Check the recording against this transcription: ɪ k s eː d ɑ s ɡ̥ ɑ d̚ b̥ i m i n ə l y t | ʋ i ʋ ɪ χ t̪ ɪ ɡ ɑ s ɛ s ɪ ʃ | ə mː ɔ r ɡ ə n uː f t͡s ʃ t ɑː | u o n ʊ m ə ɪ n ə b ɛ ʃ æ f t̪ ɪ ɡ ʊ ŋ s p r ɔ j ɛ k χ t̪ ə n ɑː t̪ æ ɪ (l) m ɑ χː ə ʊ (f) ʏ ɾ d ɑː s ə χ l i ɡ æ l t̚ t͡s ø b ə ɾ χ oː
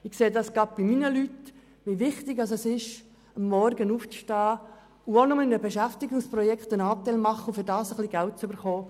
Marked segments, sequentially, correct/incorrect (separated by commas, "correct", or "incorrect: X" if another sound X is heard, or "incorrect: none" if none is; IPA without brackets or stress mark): correct, correct